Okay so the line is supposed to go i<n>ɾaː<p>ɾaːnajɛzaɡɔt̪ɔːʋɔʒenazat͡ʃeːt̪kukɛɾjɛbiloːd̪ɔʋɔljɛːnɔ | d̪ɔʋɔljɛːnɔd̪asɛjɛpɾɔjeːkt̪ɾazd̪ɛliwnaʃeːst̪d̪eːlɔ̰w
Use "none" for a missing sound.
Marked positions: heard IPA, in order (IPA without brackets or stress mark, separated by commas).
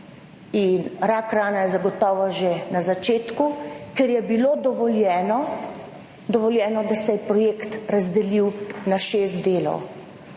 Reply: n, k